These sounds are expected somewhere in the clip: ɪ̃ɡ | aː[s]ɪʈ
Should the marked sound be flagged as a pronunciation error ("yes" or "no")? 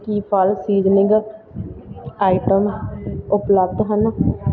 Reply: yes